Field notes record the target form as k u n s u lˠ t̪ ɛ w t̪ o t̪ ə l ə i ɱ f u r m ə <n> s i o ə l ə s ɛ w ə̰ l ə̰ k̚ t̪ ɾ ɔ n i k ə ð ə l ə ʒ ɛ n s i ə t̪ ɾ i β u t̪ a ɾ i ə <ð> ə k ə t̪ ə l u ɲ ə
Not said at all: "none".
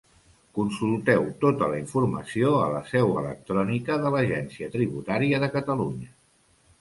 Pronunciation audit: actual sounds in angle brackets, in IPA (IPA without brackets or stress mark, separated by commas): none, ð